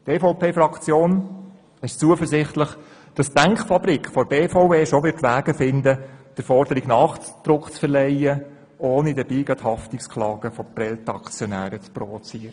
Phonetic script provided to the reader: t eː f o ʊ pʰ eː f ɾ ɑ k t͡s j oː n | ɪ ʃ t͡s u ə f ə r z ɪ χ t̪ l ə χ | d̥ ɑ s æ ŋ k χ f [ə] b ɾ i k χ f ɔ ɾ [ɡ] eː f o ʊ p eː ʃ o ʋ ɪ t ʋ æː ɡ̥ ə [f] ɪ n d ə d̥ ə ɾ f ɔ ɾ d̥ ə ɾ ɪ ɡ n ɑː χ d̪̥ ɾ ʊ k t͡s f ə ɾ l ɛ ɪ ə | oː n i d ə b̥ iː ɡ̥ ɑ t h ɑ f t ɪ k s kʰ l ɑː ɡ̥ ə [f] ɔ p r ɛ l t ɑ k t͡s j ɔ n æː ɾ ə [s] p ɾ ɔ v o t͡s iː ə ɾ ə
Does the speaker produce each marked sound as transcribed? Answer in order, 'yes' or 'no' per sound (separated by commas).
no, no, yes, yes, no